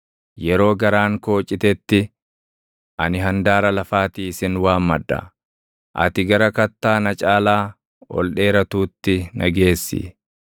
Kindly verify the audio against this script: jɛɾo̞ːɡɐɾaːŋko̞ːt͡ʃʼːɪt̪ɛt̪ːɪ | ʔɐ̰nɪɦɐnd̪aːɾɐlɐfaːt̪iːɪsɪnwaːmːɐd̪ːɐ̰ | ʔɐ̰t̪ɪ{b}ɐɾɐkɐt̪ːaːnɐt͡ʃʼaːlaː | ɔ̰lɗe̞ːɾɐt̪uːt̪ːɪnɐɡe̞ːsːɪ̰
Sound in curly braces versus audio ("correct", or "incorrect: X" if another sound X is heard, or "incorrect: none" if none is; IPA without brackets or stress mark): incorrect: ɡ